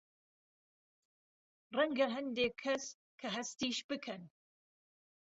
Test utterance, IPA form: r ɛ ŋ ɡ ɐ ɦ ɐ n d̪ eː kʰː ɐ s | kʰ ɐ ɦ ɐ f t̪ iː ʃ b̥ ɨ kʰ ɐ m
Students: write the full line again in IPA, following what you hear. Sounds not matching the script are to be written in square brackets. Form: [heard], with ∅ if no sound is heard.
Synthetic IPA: r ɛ ŋ ɡ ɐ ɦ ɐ n d̪ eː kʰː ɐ s | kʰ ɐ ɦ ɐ [s] t̪ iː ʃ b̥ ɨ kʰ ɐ [n]